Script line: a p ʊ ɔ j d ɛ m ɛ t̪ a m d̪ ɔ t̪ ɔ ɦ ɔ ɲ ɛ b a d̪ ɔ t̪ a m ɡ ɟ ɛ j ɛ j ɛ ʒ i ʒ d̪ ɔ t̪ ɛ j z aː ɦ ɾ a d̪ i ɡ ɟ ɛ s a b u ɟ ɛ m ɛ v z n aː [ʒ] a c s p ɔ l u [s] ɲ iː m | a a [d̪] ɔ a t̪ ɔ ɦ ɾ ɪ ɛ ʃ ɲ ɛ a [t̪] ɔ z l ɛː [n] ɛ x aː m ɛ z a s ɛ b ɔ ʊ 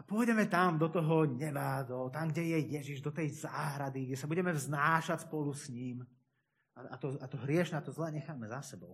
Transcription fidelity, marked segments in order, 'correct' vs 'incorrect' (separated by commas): incorrect, correct, incorrect, correct, incorrect